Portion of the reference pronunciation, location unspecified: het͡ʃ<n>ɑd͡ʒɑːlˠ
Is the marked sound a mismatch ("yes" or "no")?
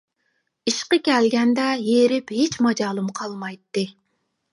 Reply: yes